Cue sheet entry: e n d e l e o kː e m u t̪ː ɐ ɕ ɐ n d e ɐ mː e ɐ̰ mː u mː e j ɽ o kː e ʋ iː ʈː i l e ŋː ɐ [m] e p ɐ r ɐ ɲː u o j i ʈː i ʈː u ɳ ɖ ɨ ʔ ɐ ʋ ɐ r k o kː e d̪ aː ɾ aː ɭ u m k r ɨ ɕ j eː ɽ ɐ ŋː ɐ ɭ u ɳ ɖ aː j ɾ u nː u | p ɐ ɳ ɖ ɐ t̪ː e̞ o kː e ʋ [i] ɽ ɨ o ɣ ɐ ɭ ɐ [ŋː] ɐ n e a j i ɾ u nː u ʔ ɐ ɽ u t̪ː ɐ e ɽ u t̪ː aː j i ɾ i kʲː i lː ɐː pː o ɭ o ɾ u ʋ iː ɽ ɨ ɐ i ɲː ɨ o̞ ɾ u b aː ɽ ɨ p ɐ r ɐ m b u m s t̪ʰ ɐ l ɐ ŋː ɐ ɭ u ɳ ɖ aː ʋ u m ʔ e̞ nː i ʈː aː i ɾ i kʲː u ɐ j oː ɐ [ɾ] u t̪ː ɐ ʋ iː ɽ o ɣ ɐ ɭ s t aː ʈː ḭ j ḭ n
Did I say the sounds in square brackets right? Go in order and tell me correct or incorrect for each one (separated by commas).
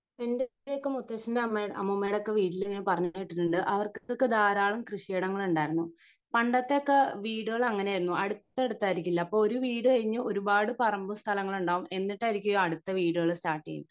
incorrect, incorrect, correct, incorrect